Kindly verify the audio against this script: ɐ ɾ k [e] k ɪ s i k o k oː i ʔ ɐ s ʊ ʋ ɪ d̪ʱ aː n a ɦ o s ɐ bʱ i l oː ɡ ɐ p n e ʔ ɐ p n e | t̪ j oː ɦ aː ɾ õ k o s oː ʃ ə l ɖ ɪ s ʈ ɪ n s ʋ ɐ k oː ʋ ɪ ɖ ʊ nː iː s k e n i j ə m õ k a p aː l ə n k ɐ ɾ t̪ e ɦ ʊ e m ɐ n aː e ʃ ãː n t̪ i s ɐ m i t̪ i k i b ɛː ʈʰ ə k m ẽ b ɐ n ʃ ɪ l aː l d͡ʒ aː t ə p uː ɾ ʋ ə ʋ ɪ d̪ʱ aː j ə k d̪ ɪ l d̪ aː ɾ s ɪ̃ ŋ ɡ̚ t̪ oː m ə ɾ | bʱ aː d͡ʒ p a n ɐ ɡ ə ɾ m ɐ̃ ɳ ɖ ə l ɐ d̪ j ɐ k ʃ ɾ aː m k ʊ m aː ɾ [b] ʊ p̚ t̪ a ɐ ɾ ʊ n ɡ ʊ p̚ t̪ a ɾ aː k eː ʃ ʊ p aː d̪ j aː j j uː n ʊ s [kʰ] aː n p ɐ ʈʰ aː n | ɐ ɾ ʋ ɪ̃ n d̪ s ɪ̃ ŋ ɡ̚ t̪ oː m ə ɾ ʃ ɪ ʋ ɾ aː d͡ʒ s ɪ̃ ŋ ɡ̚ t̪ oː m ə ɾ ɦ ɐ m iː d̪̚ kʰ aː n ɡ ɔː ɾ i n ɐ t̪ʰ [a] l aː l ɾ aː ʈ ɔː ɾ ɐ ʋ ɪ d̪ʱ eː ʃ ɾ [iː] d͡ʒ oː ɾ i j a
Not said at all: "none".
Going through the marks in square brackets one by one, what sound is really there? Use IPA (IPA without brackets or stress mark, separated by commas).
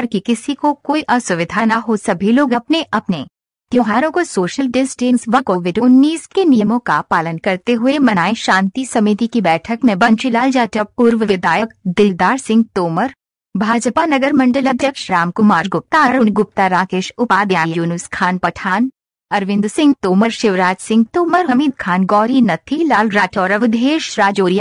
i, ɡ, kʰ, i, aː